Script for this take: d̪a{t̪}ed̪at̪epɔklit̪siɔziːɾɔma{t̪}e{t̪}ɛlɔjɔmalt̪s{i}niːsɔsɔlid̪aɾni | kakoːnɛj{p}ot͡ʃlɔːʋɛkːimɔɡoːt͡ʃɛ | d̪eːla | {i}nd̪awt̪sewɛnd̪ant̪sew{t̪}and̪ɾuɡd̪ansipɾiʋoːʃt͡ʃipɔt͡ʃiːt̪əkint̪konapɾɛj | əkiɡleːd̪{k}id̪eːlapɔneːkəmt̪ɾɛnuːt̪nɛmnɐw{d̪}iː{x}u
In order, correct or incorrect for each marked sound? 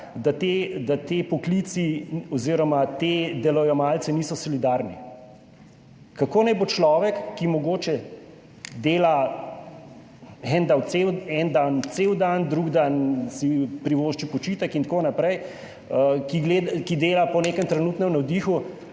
correct, correct, incorrect, incorrect, incorrect, incorrect, incorrect, correct, correct, correct

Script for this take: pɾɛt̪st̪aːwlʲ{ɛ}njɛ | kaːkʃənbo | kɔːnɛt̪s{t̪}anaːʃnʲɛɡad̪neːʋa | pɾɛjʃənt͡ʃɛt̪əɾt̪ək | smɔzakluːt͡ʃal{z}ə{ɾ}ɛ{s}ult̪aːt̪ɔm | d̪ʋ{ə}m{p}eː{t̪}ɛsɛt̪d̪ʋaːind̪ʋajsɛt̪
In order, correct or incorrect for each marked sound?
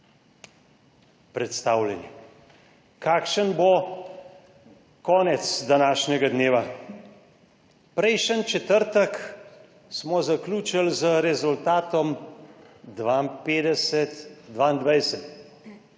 correct, incorrect, correct, correct, incorrect, incorrect, correct, incorrect

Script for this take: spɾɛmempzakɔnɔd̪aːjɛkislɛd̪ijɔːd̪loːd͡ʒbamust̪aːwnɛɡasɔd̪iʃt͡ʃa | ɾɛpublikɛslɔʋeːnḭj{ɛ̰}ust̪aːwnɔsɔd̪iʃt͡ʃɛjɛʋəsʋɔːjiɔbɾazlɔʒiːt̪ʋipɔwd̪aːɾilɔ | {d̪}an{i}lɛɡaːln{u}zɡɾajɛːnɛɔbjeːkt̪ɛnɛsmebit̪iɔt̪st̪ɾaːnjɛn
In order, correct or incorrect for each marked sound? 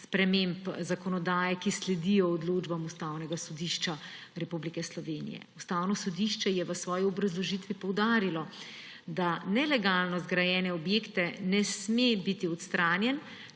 correct, correct, incorrect, incorrect

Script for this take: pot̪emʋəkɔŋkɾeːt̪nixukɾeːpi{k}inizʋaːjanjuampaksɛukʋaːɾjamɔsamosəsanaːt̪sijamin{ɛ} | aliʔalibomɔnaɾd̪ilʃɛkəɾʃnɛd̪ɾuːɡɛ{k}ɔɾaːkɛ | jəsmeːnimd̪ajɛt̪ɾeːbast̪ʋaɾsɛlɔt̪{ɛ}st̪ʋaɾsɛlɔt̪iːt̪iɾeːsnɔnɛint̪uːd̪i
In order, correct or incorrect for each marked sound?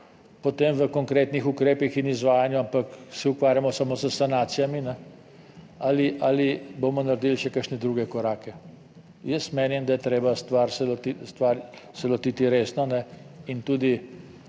incorrect, correct, correct, incorrect

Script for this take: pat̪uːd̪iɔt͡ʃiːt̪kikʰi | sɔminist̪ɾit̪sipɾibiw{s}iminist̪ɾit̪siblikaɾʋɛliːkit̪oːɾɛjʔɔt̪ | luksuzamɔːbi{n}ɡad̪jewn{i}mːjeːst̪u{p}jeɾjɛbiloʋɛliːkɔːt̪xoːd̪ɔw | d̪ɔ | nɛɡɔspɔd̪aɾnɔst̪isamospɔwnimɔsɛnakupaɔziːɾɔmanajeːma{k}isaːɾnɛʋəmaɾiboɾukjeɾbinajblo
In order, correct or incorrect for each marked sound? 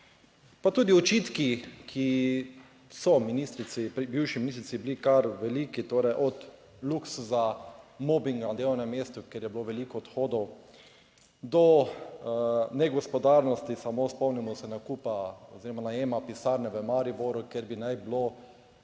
incorrect, incorrect, incorrect, incorrect, incorrect

